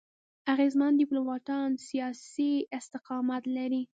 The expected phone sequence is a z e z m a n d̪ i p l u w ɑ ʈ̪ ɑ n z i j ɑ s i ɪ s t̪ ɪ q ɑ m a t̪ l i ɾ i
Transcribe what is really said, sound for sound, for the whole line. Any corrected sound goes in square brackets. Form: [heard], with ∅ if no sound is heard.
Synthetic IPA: a [ɣ] e z m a n d̪ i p l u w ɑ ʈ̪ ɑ n [s] i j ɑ s i ɪ s t̪ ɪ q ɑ m a t̪ l [a] ɾ i